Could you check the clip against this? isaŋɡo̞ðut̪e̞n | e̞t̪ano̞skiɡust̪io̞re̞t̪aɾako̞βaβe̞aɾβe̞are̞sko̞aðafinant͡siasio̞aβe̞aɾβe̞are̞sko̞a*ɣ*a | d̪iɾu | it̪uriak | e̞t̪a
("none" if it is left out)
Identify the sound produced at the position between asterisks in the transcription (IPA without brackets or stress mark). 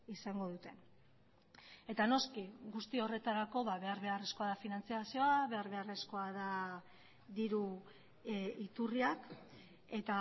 ð